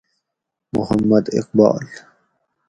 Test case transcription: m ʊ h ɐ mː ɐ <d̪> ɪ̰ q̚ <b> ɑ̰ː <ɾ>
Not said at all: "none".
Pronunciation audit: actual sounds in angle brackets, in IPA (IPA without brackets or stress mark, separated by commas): d̪, b, l